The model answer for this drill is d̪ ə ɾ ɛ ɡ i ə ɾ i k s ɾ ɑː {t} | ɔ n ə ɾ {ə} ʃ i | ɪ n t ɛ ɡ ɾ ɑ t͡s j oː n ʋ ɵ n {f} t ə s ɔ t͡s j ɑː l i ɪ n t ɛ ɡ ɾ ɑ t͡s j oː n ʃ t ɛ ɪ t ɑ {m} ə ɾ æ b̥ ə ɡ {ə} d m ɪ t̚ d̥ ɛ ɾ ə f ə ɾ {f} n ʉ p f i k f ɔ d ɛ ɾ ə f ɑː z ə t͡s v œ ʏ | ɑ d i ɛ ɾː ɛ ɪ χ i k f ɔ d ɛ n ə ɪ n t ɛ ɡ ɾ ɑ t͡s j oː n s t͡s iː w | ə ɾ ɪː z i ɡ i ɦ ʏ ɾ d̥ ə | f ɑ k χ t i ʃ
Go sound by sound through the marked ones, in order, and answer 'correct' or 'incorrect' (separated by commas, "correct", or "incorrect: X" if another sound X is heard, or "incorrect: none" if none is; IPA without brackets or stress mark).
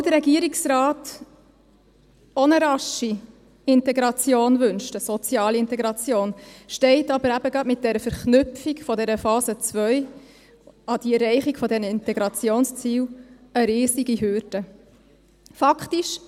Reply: correct, incorrect: ɑ, incorrect: ʃ, incorrect: b, incorrect: ɑ, incorrect: χ